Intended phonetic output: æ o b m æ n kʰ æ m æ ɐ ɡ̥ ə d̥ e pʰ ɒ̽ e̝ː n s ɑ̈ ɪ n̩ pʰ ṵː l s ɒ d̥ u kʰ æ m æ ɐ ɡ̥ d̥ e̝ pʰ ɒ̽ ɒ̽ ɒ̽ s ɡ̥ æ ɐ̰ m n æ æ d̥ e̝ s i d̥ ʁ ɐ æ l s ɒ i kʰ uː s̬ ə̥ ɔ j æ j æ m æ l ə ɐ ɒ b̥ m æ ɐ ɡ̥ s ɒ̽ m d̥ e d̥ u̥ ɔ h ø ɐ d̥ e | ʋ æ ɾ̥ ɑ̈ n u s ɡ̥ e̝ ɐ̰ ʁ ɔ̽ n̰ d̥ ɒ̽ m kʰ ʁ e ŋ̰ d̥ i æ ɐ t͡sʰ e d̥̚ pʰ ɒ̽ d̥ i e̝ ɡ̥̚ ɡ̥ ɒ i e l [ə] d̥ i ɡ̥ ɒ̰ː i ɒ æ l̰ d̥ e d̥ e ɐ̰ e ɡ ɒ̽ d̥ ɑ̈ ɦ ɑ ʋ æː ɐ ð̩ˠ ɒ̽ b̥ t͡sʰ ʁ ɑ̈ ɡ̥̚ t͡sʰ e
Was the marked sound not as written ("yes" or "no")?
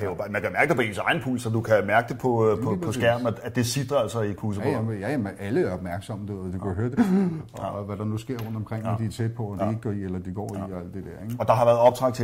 yes